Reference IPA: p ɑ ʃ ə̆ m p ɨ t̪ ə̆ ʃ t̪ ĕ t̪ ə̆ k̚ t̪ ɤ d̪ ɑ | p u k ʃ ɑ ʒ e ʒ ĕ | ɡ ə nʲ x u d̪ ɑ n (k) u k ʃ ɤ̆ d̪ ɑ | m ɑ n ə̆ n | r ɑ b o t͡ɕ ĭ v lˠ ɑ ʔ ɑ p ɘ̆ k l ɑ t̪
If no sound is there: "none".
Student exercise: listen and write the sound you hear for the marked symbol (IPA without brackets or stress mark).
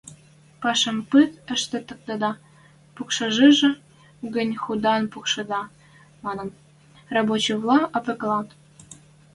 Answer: p